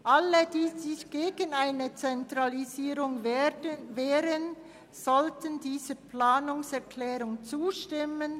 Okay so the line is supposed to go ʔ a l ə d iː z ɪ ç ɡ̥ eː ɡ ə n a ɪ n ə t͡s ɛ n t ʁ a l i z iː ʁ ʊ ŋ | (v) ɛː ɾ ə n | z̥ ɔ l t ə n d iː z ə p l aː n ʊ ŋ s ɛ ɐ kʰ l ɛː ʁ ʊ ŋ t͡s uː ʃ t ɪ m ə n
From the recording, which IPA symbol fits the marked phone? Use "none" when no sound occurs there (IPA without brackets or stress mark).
v